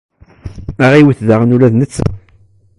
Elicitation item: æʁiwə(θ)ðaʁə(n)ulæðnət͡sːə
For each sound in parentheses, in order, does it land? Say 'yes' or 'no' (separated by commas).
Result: yes, yes